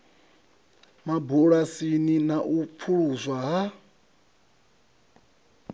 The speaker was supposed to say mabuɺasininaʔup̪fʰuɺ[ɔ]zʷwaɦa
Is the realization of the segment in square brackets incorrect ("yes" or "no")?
yes